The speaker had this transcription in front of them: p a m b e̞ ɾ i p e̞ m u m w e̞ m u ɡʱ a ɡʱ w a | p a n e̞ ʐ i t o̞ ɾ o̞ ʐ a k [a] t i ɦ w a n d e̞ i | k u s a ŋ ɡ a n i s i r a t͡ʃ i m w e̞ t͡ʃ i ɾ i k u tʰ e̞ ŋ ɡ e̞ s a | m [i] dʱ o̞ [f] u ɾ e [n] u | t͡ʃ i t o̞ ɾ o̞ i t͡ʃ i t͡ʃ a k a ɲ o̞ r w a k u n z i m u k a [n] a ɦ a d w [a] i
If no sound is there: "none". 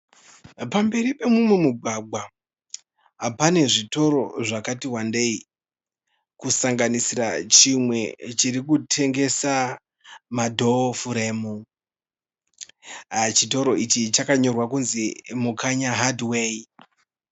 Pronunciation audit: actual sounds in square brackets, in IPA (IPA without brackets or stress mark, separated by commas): a, a, f, m, ɲ, e